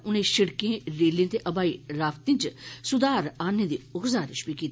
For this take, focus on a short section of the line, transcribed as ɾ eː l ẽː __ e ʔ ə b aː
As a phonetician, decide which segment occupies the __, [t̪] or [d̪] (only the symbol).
t̪